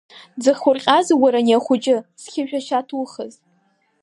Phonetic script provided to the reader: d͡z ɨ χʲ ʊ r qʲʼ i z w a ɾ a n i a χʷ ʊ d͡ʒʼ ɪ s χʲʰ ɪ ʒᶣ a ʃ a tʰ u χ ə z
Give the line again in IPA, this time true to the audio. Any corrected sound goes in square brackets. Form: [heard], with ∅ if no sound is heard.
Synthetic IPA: d͡z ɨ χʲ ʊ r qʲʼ [a] z w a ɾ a n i a χʷ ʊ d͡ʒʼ ɪ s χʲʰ ɪ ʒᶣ a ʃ a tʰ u χ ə z